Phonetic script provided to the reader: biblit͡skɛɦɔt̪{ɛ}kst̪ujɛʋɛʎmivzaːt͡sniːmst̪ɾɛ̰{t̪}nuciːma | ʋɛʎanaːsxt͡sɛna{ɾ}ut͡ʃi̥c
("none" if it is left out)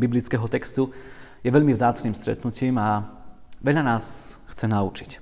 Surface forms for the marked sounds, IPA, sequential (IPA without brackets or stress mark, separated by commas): ɛ, t̪, none